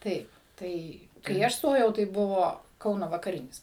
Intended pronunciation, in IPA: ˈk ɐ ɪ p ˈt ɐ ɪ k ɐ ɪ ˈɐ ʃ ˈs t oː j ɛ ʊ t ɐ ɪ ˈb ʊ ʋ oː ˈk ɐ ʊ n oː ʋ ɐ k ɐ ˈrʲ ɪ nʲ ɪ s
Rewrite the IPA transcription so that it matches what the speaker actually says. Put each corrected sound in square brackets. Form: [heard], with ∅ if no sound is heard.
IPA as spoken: [ˈt] ɐ ɪ p ˈt ɐ ɪ k ɐ ɪ ˈɐ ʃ ˈs t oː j ɛ ʊ t ɐ ɪ ˈb ʊ ʋ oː ˈk ɐ ʊ n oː ʋ ɐ k ɐ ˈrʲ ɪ nʲ ɪ s